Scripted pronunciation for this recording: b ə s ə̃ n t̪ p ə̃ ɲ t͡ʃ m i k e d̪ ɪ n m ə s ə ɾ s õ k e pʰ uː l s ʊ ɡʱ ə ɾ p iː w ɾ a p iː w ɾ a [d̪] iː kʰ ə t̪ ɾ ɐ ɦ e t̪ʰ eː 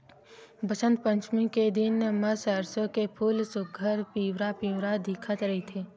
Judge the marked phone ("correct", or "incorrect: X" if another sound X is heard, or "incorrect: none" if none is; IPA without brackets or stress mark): correct